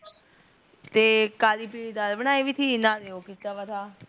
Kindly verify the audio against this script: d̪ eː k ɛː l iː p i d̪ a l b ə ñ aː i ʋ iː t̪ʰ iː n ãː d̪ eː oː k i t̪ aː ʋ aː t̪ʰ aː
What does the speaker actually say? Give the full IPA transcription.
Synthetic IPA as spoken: t̪ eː k aː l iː p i d̪ a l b ə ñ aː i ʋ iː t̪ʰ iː n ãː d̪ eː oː k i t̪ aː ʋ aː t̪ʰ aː